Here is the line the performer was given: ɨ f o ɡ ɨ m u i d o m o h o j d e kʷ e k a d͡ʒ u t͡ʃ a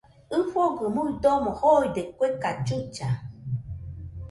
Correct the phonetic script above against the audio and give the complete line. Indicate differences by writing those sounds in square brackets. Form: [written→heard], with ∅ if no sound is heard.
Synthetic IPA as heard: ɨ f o ɡ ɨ m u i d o m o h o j d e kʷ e k a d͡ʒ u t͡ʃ a